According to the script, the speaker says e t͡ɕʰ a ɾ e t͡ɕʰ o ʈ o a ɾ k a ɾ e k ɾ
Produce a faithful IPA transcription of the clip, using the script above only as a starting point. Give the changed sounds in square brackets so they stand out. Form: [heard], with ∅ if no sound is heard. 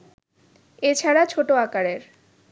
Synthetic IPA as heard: e t͡ɕʰ a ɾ [a] t͡ɕʰ o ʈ o a [∅] k a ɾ e [∅] ɾ